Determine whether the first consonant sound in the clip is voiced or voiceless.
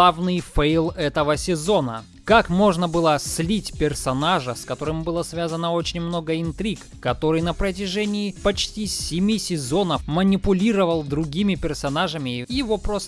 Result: voiced